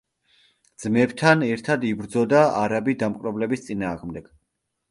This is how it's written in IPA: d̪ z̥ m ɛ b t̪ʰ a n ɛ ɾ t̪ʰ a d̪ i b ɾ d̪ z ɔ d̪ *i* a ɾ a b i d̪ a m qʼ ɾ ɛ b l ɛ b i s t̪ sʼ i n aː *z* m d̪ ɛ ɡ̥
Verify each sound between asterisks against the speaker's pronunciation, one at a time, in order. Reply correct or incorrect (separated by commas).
incorrect, incorrect